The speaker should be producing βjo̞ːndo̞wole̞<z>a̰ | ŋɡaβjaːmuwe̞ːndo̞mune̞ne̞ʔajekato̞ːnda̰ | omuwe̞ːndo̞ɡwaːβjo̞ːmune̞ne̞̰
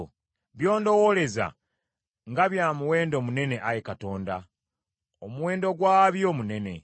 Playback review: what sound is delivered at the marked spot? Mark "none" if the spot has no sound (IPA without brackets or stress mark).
z